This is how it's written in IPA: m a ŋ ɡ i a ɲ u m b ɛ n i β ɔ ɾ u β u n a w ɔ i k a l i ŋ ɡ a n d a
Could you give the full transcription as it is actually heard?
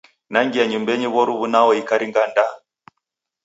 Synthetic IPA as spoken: n a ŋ ɡ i a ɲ u m b ɛ ɲ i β ɔ ɾ u β u n a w ɔ i k a ɾ i ŋ ɡ a n d a